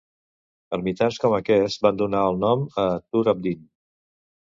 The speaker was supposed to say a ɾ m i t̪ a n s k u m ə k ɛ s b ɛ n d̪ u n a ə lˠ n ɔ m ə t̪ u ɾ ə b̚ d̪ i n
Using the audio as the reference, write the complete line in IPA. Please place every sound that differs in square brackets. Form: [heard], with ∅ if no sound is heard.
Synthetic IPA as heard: [ə] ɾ m i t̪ a n s k [ɔ] m ə k ɛ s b [a] n d̪ u n a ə lˠ n ɔ m ə t̪ u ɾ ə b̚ d̪ i n